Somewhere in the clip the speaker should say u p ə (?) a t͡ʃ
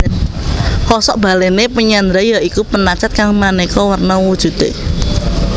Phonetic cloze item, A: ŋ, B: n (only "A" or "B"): B